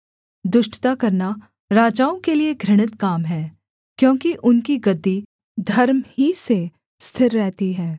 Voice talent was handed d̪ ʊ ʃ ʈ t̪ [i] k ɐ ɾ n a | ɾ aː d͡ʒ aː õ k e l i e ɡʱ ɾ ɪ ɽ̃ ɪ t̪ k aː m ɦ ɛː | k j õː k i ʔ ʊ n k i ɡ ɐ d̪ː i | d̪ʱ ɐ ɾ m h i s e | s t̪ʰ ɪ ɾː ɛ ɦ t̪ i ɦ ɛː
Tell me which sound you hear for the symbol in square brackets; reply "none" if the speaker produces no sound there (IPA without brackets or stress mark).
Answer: a